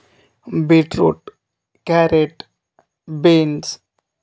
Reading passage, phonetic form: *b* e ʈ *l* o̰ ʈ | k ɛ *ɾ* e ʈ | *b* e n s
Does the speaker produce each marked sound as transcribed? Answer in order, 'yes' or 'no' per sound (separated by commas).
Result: yes, no, yes, yes